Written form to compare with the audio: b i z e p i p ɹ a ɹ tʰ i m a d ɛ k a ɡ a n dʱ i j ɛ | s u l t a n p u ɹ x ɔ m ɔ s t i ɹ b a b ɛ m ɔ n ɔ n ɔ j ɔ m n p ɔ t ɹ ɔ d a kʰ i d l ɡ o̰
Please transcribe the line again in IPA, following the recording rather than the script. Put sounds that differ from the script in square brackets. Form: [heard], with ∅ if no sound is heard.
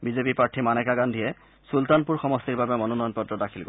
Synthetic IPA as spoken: b i z e p i p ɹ a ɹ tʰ i m a [n] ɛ k a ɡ a n dʱ i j ɛ | s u l t a n p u ɹ x ɔ m ɔ s t i ɹ b a b ɛ m ɔ n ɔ n ɔ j ɔ [∅] n p ɔ t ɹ ɔ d a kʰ i [∅] l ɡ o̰

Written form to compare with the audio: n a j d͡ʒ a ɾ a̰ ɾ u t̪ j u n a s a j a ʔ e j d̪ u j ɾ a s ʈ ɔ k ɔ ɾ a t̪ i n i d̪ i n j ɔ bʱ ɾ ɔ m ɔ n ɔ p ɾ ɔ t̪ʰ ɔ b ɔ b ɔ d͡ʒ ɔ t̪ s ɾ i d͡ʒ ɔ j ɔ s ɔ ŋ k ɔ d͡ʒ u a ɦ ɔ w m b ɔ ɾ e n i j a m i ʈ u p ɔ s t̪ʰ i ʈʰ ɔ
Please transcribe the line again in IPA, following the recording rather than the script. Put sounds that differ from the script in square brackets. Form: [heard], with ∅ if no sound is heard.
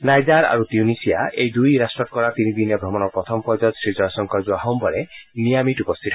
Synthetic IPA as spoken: n a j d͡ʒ a ɾ a̰ ɾ u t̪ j u n [i] s [i] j a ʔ e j d̪ u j ɾ a s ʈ ɔ k ɔ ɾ a t̪ i n i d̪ i n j ɔ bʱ ɾ ɔ m ɔ n ɔ p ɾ ɔ t̪ʰ ɔ [m] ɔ [p] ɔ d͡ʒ ɔ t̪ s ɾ i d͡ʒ ɔ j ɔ s ɔ ŋ k ɔ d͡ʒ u a ɦ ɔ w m b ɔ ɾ e n i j a m i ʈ u p ɔ s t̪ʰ i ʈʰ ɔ

